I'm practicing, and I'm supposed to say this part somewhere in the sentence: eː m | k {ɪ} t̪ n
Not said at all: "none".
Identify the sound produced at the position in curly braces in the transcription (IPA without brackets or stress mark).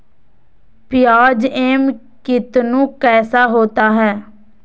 ɪ